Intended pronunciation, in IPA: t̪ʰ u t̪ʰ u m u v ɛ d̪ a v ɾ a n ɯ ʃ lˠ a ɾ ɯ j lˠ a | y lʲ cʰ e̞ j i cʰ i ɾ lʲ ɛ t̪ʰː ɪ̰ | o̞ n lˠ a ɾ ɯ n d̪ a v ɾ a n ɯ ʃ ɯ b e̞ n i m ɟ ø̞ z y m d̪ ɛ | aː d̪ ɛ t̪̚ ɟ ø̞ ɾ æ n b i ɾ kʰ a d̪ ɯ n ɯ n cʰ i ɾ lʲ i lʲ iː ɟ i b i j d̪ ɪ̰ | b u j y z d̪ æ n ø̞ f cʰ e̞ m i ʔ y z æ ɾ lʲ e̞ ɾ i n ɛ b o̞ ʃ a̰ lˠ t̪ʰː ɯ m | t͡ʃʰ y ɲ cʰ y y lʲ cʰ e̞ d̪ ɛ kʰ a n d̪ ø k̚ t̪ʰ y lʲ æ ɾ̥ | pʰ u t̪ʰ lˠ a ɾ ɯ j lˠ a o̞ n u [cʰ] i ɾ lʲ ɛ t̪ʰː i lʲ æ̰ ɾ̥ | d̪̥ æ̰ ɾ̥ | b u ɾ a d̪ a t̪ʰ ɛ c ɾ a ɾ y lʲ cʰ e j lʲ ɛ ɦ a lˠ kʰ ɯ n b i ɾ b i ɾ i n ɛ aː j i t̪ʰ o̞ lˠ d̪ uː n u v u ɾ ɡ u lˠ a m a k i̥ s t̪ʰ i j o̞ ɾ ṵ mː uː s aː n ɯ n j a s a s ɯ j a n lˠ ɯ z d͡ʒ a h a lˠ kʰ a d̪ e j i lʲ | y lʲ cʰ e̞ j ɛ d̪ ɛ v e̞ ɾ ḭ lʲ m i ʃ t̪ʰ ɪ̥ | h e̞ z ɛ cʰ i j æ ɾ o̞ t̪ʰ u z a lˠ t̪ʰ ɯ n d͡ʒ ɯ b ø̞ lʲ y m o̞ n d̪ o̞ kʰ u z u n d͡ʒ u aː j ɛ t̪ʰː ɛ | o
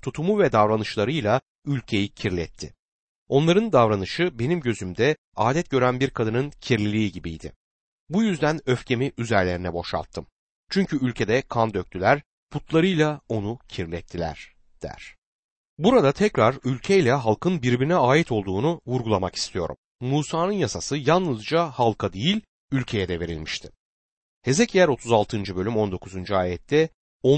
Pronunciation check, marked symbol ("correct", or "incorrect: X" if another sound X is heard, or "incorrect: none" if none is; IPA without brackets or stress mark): correct